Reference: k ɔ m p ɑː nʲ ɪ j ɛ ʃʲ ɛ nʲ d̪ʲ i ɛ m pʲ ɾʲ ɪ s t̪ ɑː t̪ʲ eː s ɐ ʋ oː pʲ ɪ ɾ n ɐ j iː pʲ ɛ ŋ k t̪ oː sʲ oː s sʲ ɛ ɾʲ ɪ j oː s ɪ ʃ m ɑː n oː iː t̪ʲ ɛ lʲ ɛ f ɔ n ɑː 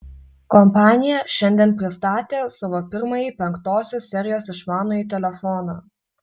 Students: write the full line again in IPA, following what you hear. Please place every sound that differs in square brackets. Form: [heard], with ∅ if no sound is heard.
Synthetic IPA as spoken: k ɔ m p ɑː nʲ ɪ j ɛ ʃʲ ɛ nʲ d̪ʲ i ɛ [n] pʲ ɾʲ ɪ s t̪ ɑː t̪ʲ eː s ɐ ʋ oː pʲ ɪ ɾ [m] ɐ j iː pʲ ɛ ŋ k t̪ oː sʲ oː s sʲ ɛ ɾʲ ɪ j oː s ɪ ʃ m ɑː n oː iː t̪ʲ ɛ lʲ ɛ f ɔ n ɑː